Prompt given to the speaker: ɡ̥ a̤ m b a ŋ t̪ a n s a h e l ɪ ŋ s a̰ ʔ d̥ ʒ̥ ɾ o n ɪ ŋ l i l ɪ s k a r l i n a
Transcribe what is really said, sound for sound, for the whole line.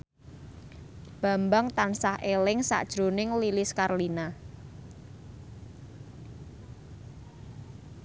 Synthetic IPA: b̥ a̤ m b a ŋ t̪ a n s a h e l ɪ ŋ s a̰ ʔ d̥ ʒ̥ ɾ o n ɪ ŋ l i l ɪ s k a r l i n a